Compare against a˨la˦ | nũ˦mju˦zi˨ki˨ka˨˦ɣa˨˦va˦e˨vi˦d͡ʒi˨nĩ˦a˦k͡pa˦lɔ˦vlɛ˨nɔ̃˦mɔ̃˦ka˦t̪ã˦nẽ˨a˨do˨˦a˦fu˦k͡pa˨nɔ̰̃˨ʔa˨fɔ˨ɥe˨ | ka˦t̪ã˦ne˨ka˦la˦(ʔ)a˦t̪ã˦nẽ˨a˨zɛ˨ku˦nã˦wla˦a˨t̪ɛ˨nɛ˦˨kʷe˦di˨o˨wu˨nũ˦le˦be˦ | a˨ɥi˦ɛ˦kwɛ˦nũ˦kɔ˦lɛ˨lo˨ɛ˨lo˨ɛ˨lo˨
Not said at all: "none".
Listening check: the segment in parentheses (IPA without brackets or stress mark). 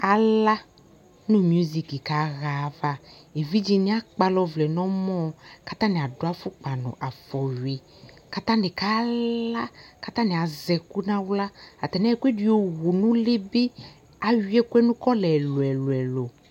k